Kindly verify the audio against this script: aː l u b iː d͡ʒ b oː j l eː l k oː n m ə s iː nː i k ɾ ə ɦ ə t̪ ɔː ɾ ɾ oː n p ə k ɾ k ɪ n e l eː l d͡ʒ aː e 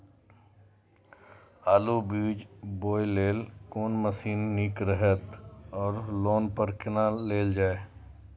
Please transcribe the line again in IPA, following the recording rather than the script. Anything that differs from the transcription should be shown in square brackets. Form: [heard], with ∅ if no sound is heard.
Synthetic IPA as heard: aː l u b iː d͡ʒ b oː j l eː l k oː n m ə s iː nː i k ɾ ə ɦ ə t̪ ɔː ɾ [l] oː n p ə [∅] ɾ k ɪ n [a] l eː l d͡ʒ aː e